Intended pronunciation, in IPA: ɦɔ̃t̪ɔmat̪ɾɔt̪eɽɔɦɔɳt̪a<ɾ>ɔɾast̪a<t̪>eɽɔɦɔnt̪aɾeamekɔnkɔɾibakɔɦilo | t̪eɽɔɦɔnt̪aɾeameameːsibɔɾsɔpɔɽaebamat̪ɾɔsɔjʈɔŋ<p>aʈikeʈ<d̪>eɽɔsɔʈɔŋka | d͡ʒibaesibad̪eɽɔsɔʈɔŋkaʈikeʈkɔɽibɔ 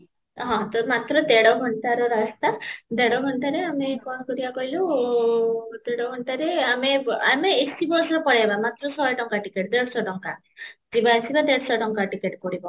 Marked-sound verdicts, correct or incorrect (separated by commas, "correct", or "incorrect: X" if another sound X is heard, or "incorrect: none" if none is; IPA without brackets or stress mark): correct, incorrect: d̪, incorrect: k, correct